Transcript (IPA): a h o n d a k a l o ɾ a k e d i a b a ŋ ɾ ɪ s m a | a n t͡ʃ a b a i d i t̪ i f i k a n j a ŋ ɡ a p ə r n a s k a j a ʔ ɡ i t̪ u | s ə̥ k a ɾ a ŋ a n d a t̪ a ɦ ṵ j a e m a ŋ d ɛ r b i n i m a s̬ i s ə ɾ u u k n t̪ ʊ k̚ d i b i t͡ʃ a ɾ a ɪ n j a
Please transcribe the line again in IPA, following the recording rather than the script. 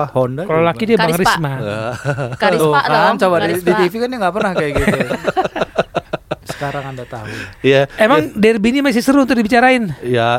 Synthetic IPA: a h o n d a k a l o l a k i d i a b a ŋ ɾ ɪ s m a | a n t͡ʃ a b a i d i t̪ i f i k a n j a ŋ ɡ a p ə r n a h k a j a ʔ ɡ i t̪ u | s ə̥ k a ɾ a ŋ a n d a t̪ a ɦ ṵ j a e m a ŋ d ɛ r b i n i m a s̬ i s ə ɾ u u n t̪ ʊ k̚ d i b i t͡ʃ a ɾ a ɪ n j a